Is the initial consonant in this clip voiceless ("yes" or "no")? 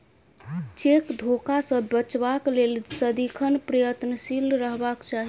yes